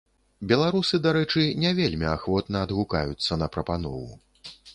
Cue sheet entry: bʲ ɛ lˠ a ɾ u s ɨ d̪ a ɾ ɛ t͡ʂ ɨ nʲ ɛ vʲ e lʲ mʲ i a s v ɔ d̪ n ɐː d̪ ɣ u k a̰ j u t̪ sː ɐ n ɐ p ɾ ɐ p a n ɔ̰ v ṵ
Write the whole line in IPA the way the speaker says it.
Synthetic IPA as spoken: bʲ ɛ lˠ a ɾ u s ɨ d̪ a ɾ ɛ t͡ʂ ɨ nʲ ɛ vʲ e lʲ mʲ i a x v ɔ t̪ n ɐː d̪ ɣ u k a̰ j u t̪ sː ɐ n ɐ p ɾ ɐ p a n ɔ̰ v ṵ